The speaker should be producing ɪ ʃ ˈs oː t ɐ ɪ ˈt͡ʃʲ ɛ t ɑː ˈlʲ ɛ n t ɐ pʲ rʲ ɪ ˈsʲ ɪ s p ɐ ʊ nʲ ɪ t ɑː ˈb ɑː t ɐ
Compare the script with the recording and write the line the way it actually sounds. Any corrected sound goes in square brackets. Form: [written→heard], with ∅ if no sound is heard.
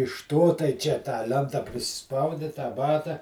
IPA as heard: ɪ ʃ [ˈs→ˈt] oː t ɐ ɪ ˈt͡ʃʲ ɛ t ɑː ˈlʲ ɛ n t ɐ pʲ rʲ ɪ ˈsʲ ɪ s p ɐ ʊ [nʲ→dʲ] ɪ t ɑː ˈb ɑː t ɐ